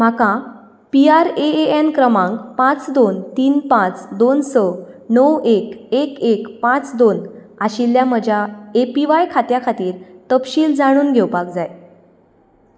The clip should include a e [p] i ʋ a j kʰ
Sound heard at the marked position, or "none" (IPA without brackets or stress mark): p